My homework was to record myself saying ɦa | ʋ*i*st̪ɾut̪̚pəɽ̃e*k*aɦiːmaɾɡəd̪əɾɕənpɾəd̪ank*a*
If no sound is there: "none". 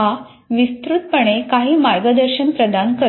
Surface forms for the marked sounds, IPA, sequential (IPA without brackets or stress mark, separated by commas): i, k, ə